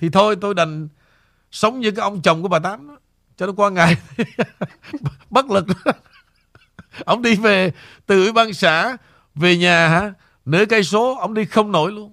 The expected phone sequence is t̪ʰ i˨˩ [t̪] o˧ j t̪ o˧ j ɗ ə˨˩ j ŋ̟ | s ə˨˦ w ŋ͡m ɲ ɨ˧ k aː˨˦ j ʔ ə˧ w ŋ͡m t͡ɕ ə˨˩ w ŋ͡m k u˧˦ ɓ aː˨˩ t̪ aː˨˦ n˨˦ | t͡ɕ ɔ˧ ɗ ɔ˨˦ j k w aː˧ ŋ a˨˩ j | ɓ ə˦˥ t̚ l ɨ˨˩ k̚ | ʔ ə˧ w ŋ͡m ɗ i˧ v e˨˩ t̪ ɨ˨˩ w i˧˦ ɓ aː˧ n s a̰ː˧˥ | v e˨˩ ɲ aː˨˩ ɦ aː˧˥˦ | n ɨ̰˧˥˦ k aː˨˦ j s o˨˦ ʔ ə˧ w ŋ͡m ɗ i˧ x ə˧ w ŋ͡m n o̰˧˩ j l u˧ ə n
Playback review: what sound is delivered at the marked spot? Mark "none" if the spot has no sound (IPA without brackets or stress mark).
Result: t̪ʰ